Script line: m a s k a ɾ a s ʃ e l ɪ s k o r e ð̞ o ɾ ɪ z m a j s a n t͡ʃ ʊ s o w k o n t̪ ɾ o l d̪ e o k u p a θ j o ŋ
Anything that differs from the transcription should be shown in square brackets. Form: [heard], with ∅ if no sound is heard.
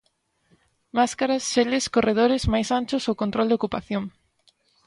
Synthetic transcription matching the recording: m a s k a ɾ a s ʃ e l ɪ s k o r e ð̞ o ɾ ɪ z m a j s a n t͡ʃ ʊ s o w k o n t̪ ɾ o l d̪ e o k u p a θ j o ŋ